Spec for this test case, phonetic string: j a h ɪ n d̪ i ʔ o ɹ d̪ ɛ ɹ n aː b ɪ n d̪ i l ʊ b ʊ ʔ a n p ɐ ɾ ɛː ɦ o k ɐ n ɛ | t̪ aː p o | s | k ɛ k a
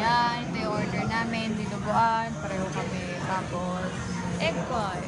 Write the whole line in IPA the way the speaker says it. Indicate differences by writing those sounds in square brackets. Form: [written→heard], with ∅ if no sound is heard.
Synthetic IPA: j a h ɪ n d̪ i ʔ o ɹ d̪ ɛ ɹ n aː [b→m] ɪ n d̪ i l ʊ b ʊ ʔ a n p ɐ ɾ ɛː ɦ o k ɐ [n→m] ɛ | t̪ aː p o | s | [k→ʔ] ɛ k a